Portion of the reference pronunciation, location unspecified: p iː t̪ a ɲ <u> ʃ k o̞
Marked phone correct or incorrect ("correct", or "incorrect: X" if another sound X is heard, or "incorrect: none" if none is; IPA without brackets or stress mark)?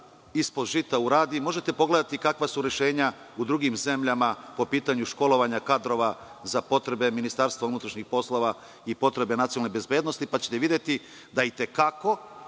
correct